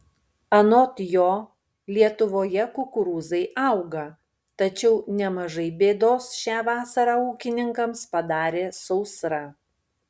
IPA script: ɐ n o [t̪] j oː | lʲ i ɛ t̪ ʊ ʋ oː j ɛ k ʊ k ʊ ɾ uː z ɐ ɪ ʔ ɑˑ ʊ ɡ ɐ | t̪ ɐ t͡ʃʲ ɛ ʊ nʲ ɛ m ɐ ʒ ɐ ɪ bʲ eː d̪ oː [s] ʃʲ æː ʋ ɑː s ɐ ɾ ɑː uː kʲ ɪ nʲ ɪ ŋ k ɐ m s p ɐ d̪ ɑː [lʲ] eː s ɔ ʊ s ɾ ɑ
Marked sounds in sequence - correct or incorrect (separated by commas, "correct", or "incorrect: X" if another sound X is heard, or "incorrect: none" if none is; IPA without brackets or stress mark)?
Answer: correct, correct, incorrect: ɾʲ